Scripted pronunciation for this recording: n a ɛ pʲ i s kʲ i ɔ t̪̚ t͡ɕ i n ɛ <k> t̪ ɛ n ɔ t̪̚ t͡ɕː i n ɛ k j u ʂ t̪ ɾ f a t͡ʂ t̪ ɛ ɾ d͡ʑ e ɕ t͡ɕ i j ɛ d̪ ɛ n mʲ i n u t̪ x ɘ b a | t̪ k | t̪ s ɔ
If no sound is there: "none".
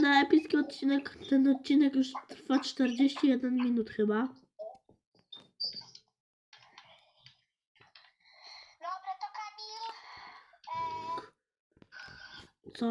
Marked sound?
k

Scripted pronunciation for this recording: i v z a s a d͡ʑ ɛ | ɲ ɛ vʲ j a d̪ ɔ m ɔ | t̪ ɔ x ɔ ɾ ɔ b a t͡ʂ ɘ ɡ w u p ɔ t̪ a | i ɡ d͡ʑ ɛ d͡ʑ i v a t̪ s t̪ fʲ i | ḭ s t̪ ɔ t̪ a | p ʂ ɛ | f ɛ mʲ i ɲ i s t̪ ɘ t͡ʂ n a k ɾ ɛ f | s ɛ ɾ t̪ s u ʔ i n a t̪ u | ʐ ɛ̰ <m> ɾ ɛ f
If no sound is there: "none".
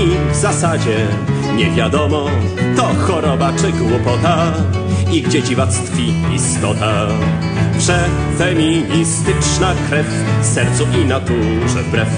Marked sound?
b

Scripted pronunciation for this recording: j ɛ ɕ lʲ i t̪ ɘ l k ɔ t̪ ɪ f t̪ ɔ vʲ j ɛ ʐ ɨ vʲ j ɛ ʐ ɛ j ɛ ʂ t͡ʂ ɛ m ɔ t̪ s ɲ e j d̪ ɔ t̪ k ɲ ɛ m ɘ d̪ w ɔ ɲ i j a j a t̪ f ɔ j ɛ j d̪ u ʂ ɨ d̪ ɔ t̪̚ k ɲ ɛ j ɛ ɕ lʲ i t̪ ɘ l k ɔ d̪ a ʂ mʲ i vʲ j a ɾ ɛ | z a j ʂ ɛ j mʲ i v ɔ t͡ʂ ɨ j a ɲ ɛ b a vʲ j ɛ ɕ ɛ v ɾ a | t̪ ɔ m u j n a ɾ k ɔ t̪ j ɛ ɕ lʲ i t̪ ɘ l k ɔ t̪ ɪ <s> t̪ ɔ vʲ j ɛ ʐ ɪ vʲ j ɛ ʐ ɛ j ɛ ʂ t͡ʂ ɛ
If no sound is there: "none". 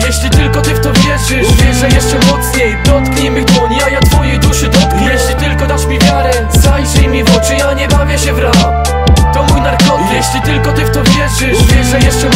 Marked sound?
f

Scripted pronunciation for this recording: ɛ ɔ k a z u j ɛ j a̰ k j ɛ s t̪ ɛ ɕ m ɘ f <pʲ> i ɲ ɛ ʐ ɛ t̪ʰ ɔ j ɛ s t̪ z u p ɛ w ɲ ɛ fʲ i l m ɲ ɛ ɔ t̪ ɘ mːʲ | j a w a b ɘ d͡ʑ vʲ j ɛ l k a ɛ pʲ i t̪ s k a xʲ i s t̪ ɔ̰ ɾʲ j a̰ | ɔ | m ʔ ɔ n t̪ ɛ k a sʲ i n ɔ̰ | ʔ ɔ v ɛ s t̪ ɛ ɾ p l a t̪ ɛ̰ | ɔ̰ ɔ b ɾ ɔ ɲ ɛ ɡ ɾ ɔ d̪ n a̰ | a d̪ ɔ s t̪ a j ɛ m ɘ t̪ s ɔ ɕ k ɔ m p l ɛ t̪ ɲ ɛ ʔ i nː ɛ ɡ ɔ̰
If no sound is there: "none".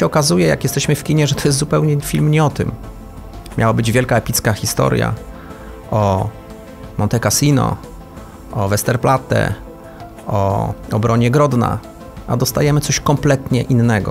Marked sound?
kʲ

